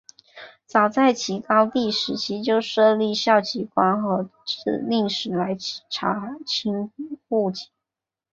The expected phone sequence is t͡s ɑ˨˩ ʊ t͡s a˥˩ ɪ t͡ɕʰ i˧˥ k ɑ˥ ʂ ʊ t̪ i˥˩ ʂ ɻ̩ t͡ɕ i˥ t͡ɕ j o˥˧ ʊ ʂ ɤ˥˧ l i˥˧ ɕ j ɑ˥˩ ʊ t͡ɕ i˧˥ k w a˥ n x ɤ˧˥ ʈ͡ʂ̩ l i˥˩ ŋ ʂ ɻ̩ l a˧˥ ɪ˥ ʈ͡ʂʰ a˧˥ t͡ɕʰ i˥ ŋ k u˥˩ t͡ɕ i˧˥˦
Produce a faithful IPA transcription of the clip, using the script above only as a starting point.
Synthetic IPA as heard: t͡s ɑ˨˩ ʊ t͡s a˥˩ ɪ t͡ɕʰ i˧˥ k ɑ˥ ʊ t̪ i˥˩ ʂ ɻ̩ t͡ɕʰ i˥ t͡ɕ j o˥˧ ʊ ʂ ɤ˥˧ l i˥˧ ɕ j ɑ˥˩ ʊ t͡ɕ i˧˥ k w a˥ n x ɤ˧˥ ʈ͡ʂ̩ l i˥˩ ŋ ʂ ɻ̩ l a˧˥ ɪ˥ ʈ͡ʂʰ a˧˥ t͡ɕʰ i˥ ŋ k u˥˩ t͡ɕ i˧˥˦